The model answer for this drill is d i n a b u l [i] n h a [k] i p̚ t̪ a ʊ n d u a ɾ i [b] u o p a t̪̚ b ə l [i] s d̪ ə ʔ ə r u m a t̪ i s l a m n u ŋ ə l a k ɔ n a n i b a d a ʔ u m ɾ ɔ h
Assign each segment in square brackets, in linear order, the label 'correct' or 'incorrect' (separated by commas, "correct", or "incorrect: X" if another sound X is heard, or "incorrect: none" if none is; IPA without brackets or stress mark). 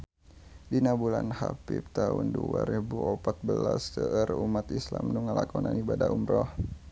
incorrect: a, incorrect: p, correct, incorrect: a